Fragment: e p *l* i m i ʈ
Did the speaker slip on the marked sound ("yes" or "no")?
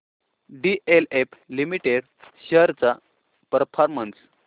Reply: no